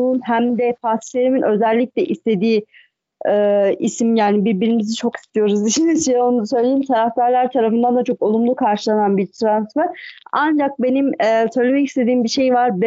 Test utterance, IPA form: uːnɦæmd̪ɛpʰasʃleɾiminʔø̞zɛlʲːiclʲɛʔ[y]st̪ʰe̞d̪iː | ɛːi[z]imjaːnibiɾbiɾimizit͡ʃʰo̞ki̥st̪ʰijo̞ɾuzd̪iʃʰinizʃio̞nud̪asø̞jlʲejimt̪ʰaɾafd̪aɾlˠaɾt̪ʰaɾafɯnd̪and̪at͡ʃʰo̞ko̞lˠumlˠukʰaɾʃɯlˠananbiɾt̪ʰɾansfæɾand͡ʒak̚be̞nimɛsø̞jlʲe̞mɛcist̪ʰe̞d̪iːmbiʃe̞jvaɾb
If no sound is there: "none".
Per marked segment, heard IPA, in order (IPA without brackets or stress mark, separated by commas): i, s